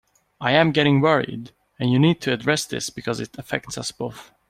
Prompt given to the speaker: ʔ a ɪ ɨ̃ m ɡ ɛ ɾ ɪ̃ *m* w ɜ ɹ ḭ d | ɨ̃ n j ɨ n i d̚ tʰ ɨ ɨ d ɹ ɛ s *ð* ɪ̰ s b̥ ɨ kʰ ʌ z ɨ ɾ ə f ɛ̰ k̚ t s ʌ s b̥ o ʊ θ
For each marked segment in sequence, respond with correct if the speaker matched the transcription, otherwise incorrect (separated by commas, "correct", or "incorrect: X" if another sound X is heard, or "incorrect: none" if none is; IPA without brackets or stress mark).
incorrect: ŋ, correct